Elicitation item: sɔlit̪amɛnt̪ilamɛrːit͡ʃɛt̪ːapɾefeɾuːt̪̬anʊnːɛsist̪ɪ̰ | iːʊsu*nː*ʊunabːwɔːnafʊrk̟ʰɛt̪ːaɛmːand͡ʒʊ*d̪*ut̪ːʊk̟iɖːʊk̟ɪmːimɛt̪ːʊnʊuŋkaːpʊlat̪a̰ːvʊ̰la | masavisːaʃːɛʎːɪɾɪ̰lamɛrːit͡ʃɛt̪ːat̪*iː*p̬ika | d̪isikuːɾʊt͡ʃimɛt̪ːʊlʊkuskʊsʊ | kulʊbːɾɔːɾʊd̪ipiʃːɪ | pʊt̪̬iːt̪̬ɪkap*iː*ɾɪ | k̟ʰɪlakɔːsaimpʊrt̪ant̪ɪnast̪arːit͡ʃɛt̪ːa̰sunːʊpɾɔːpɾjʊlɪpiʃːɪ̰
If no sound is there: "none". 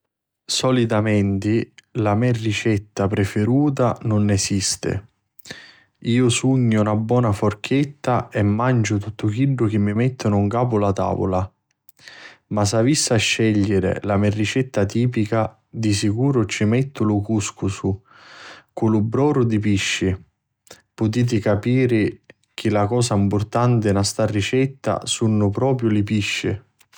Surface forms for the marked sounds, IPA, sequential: ɲː, t̪, iː, iː

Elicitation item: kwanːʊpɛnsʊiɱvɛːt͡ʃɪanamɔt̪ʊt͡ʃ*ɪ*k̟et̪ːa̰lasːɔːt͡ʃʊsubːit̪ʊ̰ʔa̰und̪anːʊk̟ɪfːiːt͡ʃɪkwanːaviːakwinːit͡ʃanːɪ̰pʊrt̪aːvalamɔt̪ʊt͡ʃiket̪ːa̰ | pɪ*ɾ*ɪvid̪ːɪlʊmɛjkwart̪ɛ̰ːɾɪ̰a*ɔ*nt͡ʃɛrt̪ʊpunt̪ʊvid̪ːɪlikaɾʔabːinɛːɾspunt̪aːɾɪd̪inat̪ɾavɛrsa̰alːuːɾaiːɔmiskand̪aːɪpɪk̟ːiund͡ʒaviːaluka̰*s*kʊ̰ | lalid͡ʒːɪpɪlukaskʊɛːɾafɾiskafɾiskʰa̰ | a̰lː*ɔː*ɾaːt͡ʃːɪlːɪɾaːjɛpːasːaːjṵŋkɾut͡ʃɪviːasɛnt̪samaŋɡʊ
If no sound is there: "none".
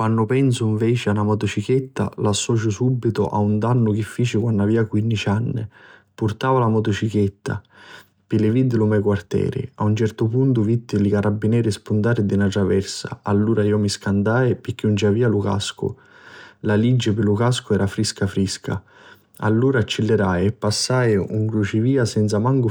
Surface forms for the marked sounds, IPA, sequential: i, l, u, s, uː

